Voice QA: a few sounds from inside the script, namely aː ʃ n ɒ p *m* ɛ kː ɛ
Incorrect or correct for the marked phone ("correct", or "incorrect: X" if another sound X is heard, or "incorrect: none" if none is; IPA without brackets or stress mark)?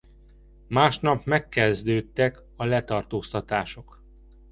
correct